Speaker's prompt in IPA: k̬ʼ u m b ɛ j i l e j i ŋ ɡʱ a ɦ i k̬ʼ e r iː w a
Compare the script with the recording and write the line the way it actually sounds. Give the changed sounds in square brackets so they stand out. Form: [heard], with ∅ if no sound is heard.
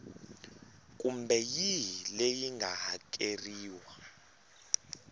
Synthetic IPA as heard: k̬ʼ u m b ɛ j i l e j i ŋ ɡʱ a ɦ [a] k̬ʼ e r iː w a